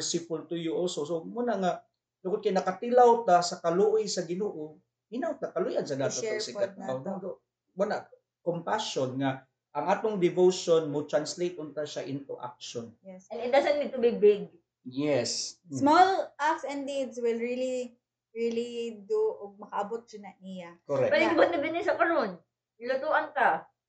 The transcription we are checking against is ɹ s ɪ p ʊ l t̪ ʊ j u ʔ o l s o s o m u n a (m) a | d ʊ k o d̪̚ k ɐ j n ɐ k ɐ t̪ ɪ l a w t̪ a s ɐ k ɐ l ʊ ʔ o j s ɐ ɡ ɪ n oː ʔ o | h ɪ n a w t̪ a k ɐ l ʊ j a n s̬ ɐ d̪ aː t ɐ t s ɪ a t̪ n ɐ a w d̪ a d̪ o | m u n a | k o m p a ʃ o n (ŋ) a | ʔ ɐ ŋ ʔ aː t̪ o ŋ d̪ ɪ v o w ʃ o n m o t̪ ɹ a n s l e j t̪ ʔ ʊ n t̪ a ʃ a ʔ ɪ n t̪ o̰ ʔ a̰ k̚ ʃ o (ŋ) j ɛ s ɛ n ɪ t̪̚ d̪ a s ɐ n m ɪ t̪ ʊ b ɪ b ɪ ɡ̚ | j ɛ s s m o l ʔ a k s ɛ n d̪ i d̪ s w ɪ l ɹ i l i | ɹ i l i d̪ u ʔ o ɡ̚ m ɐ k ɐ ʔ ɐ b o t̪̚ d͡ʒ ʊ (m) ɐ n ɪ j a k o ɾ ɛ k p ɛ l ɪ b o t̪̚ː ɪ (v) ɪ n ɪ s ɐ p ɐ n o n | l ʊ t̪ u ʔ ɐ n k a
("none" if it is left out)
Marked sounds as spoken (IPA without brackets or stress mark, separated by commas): ŋ, ŋ, n, n, b